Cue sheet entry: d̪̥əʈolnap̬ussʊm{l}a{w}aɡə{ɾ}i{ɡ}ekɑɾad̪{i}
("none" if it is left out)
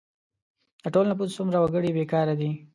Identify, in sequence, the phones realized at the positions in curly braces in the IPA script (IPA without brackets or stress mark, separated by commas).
ɾ, w, ɽ, b, i